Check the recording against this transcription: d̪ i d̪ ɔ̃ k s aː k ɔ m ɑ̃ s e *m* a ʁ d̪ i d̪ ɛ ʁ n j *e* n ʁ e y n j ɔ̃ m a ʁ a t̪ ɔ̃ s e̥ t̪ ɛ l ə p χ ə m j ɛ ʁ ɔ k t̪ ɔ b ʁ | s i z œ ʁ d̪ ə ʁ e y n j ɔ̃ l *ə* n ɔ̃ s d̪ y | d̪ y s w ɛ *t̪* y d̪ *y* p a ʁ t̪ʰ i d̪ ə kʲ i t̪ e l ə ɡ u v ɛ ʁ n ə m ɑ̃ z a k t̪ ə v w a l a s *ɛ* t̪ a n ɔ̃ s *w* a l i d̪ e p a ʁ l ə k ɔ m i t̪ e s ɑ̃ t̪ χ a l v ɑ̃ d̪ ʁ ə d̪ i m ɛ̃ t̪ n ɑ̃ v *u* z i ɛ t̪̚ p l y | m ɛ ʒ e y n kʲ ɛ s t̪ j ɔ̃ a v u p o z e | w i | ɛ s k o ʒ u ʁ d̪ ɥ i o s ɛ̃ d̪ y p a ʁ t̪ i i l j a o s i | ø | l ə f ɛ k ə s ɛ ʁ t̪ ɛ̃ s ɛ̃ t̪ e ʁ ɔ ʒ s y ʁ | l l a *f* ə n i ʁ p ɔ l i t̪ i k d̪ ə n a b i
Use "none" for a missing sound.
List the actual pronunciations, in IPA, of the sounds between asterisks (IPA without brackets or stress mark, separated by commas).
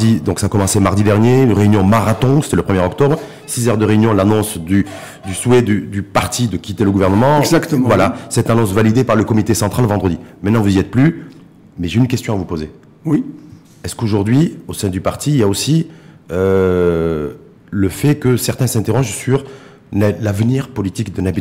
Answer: m, e, a, d̪, y, ɛ, v, u, v